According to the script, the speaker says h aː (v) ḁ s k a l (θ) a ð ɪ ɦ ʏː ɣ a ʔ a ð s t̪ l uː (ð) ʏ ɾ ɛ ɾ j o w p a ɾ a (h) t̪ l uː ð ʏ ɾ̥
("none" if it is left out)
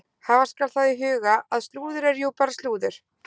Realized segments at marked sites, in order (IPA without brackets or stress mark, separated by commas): v, θ, ð, s